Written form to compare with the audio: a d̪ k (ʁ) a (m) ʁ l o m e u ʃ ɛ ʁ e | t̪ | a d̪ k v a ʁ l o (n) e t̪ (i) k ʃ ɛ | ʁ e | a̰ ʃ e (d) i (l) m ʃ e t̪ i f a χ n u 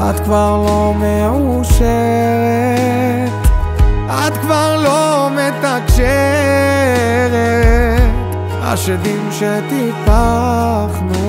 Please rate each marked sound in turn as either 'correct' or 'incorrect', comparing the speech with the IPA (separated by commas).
incorrect, incorrect, incorrect, incorrect, correct, incorrect